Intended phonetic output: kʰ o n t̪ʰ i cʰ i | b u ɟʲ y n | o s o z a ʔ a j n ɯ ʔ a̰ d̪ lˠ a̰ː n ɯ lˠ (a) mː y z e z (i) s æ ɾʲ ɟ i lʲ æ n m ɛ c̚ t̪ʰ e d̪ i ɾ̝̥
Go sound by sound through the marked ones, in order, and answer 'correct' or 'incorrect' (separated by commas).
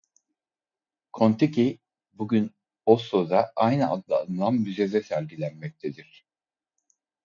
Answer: correct, incorrect